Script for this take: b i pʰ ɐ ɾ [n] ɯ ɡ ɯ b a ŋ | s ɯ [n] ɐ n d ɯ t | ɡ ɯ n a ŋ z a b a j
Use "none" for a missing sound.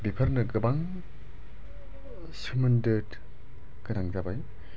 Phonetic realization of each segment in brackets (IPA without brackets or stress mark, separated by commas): n, m